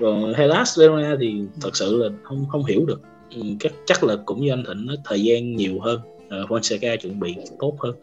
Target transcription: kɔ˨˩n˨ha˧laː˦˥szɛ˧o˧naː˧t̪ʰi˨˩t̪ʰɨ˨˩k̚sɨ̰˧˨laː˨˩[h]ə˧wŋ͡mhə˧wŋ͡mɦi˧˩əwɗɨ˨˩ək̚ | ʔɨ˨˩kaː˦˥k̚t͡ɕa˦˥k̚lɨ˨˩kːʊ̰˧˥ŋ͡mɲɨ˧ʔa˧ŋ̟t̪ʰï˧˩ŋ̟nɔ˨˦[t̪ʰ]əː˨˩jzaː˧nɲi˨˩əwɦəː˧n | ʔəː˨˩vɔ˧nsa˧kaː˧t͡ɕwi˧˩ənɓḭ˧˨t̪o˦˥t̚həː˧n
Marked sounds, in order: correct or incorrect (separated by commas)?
correct, correct